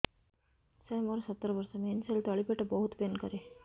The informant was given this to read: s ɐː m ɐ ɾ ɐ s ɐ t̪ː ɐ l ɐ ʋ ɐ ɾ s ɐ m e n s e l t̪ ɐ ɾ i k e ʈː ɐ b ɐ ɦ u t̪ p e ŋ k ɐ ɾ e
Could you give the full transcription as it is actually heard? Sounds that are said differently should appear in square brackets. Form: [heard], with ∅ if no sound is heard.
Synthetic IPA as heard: s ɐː m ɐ ɾ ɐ s ɐ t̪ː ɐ [ɾ] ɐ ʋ ɐ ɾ s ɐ m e n s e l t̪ ɐ [ɭ] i [p] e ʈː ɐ b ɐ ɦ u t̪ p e [n] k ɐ ɾ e